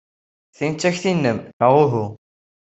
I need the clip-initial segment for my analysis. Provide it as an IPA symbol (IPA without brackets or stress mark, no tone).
θ